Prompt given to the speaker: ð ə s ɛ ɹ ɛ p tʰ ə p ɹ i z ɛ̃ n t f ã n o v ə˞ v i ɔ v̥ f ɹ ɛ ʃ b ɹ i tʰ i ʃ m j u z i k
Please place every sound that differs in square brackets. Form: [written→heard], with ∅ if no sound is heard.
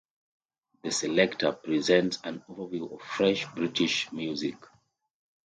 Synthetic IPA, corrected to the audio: ð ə s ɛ [ɹ→l] ɛ [p→k] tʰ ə p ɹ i z ɛ̃ n t [f→s] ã n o v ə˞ v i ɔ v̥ f ɹ ɛ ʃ b ɹ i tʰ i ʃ m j u z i k